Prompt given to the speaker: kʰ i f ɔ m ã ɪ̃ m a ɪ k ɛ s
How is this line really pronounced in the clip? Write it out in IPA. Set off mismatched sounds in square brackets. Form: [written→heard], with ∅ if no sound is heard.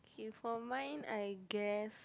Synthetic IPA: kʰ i f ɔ m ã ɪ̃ [m→n] a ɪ [k→ɡ] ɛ s

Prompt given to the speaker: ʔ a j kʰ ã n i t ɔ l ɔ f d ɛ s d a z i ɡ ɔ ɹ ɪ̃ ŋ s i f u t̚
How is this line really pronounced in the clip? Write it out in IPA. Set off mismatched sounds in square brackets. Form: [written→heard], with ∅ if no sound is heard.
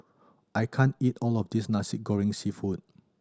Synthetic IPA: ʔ a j kʰ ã n i t ɔ l ɔ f d [ɛ→i] s [d→n] a [z→s] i ɡ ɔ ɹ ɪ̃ ŋ s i f u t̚

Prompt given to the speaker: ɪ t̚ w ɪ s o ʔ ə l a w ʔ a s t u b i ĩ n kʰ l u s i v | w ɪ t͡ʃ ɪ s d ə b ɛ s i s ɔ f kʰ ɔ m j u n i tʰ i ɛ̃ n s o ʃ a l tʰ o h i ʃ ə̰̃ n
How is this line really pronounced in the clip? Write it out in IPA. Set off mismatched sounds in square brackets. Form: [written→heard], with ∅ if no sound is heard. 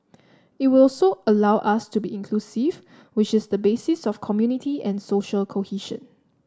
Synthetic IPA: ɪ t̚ w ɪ s o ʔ ə l a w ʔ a s t u b i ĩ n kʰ l u s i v | w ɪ t͡ʃ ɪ s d ə b [ɛ→e] s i s ɔ f kʰ ɔ m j u n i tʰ i ɛ̃ n s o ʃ [a→ə] l [tʰ→kʰ] o h i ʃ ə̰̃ n

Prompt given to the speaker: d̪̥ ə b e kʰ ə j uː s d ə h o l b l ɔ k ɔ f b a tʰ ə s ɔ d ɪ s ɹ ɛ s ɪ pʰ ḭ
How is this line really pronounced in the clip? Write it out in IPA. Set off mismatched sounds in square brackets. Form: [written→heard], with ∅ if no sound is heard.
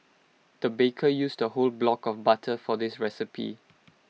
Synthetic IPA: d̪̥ ə b e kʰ ə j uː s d ə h o l b l ɔ k ɔ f b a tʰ ə [s→f] ɔ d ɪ s ɹ ɛ s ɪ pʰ ḭ

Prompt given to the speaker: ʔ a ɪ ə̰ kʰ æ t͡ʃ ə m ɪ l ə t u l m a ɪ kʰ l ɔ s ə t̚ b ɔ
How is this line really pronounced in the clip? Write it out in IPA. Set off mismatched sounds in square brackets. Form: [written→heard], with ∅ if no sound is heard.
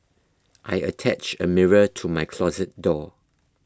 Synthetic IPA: ʔ a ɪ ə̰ [kʰ→tʰ] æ t͡ʃ ə m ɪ [l→ɹ] ə [t→tʰ] u [l→∅] m a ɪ kʰ l ɔ [s→z] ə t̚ [b→d] ɔ

